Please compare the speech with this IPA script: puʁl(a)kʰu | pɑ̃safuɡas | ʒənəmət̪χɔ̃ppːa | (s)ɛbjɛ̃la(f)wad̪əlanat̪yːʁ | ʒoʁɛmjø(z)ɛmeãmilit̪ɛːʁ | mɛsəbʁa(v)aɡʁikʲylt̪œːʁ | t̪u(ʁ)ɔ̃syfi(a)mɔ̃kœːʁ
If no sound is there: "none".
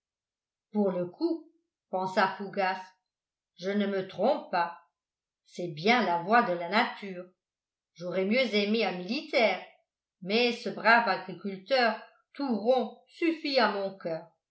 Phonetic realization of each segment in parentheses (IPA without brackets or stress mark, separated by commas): ə, s, v, z, v, ʁ, a